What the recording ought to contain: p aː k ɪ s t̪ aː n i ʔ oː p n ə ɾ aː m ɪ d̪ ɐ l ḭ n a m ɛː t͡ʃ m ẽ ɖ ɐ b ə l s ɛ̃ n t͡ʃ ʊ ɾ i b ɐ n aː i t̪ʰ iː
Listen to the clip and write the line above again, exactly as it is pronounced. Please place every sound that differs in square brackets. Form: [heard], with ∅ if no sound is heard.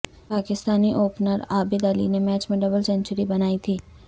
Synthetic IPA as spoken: p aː k ɪ s t̪ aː n i ʔ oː p n ə ɾ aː [b] ɪ d̪ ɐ l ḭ n [e] m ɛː t͡ʃ m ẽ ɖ ɐ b ə l s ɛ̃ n t͡ʃ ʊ ɾ i b ɐ n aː i t̪ʰ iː